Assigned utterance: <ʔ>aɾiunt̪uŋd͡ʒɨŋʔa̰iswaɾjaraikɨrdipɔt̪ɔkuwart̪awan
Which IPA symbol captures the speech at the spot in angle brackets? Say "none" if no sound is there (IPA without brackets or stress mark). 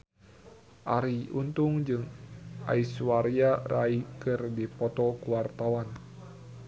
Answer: ʔ